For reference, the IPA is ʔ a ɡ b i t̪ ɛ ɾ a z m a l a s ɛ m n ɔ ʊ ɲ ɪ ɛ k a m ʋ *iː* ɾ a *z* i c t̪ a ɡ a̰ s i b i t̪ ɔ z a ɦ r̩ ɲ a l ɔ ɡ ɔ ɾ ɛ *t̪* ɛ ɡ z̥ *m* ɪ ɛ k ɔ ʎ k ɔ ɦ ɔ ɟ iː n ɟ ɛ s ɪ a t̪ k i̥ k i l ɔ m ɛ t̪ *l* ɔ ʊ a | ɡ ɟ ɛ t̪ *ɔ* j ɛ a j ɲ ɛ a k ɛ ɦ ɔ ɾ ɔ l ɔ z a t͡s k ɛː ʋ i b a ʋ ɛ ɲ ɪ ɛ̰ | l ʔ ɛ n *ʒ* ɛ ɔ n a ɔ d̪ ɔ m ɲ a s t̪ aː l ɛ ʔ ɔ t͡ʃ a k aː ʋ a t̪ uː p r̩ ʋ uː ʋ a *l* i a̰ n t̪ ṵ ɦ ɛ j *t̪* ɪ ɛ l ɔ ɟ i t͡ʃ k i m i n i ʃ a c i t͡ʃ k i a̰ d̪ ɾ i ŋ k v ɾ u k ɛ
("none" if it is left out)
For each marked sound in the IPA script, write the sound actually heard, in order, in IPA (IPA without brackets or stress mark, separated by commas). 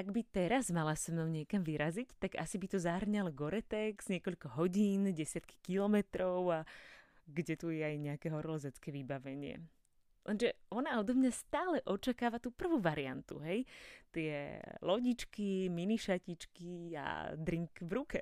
i, z, t̪, ɲ, ɾ, u, ʒ, ɾ, t̪